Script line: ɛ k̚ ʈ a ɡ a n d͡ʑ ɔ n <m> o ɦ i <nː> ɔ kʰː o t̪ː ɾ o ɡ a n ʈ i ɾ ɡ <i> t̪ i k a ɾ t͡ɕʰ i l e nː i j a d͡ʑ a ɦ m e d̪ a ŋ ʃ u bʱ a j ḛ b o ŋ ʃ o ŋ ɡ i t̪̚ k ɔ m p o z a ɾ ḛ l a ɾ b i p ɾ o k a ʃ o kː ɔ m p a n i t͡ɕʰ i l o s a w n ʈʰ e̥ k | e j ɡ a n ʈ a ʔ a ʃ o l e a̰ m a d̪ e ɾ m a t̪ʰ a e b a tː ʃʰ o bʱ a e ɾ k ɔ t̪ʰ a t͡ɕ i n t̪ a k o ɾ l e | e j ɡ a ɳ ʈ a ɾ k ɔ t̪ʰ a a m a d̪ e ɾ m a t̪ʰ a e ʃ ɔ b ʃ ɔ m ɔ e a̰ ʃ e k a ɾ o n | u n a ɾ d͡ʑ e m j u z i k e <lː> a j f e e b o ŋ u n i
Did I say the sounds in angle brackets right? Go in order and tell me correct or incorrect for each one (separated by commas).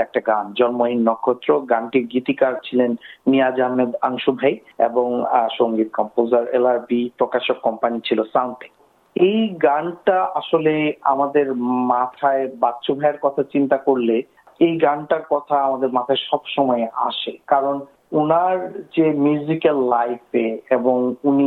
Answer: correct, correct, correct, correct